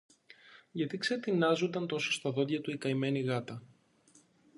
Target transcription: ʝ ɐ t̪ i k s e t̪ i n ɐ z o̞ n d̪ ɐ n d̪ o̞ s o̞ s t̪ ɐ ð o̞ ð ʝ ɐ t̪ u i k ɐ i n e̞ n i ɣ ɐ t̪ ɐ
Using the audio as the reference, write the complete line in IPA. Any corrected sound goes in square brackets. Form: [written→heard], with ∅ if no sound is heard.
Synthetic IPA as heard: ʝ ɐ t̪ i k s e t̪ i n ɐ z o̞ n d̪ ɐ n [d̪→t̪] o̞ s o̞ s t̪ ɐ ð o̞ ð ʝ ɐ t̪ u i k ɐ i [n→m] e̞ n i ɣ ɐ t̪ ɐ